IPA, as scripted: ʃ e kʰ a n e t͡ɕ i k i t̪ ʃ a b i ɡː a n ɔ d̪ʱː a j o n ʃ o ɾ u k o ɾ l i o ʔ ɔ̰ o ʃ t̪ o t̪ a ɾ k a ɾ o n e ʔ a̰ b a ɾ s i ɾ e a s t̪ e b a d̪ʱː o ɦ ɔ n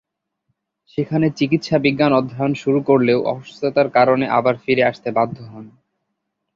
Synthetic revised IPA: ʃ e kʰ a n e t͡ɕ i k i t̪ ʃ a b i ɡː a n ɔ d̪ʱː a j o n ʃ u ɾ u k o ɾ l e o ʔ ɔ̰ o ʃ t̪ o t̪ a ɾ k a ɾ o n e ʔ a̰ b a ɾ f i ɾ e a ʃ t̪ e b a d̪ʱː o ɦ ɔ n